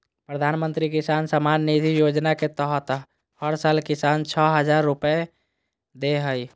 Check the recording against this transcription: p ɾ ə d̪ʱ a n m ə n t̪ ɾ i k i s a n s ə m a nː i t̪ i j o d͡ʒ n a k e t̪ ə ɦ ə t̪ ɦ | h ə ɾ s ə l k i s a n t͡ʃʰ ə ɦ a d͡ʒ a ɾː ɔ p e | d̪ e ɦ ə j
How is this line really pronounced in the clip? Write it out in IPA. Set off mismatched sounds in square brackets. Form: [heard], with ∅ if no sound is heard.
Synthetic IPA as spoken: p ɾ ə d̪ʱ a n m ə n t̪ ɾ i k i s a n s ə m a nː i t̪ i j o d͡ʒ n a k e t̪ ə ɦ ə t̪ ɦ | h ə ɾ s [a] l k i s a n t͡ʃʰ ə ɦ [ə] d͡ʒ a ɾː [u] p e | d̪ e ɦ ə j